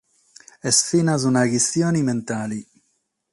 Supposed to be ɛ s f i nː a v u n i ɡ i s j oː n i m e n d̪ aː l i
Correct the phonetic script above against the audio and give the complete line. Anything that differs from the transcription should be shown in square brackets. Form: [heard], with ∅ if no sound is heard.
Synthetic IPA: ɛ s f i [n] a [z] u n [a] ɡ i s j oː n i m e n [t̪] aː l i